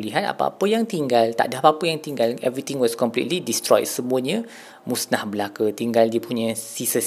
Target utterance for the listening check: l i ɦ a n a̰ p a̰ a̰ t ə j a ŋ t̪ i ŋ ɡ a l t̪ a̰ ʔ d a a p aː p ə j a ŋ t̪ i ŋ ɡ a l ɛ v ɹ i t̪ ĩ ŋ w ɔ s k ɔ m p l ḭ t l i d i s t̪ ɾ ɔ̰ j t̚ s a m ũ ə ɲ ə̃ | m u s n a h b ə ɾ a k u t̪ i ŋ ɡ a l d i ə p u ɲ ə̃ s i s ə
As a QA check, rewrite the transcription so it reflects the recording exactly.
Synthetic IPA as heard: l i ɦ a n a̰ p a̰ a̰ p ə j a ŋ t̪ i ŋ ɡ a l t̪ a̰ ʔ d a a p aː p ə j a ŋ t̪ i ŋ ɡ a l ɛ v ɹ i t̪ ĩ ŋ w ɔ s k ɔ m p l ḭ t l i d i s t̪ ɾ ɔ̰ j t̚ s ə m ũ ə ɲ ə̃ | m u s n a h b ə l a k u t̪ i ŋ ɡ a l d i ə p u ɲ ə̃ s i s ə